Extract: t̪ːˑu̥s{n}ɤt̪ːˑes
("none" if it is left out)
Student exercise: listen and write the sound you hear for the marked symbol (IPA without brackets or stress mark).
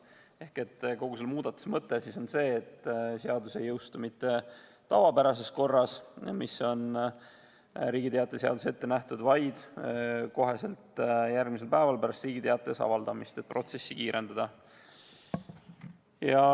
m